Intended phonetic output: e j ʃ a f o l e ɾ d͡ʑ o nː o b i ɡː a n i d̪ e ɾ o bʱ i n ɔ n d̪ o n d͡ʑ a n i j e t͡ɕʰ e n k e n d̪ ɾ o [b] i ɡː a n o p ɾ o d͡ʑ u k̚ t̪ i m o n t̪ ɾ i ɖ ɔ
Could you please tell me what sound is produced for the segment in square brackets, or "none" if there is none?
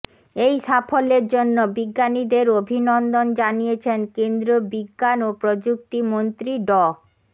b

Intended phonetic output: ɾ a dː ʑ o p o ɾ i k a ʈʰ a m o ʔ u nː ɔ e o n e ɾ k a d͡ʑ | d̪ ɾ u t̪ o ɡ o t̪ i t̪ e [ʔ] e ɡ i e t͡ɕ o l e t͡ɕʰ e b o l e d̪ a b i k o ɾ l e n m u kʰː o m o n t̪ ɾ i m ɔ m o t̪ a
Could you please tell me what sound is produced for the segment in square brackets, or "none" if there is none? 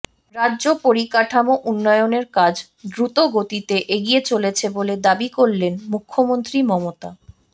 ʔ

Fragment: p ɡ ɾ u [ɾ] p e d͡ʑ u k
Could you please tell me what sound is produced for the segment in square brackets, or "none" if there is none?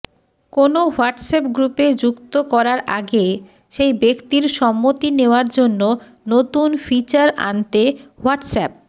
none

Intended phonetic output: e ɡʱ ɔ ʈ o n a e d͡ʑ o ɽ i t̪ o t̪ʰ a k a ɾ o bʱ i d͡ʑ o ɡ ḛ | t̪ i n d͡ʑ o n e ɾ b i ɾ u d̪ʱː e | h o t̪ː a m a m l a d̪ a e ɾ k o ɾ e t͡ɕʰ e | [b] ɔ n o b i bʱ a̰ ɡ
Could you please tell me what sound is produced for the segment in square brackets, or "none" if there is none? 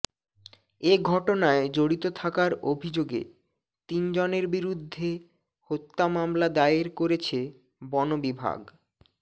b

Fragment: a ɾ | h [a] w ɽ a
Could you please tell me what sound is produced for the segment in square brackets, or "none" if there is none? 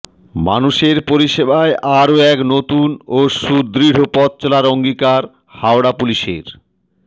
a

